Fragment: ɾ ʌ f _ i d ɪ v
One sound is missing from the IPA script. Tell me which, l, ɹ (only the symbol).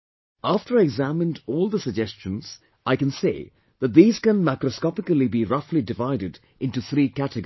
l